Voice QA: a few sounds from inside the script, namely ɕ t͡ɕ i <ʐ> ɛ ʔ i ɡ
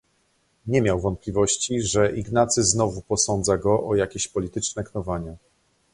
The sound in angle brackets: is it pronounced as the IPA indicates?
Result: yes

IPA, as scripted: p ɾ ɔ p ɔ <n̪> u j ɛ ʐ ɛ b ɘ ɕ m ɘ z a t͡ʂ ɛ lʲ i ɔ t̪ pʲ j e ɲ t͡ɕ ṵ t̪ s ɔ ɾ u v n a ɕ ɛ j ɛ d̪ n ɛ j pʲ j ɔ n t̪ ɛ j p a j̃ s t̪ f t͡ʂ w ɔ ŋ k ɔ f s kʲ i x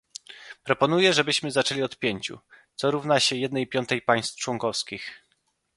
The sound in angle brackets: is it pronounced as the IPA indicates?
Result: yes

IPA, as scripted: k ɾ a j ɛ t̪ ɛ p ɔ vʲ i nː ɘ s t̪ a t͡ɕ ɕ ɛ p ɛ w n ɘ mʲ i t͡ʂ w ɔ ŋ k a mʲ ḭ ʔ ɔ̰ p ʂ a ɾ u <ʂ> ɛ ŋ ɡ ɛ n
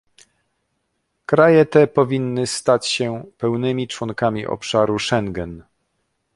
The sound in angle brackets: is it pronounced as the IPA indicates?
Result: yes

